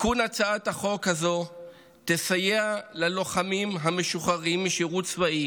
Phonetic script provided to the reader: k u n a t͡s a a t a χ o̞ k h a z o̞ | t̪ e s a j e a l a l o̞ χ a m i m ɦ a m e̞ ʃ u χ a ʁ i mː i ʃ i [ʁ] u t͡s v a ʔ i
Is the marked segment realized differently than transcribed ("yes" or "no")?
no